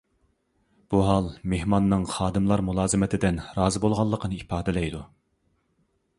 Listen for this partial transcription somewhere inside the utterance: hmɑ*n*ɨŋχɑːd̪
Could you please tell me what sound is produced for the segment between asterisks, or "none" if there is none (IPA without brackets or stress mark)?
nː